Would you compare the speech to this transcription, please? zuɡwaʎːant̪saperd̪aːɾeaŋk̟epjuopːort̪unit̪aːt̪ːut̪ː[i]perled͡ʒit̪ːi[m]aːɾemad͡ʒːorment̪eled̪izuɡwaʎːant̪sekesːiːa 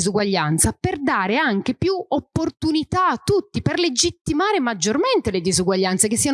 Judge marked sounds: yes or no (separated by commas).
yes, yes